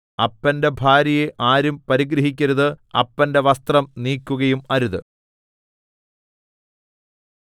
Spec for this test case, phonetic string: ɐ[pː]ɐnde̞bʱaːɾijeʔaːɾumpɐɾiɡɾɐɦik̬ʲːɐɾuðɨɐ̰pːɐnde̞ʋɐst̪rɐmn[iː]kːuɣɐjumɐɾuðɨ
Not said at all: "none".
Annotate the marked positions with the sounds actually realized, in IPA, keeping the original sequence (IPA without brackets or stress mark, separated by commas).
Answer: pː, iː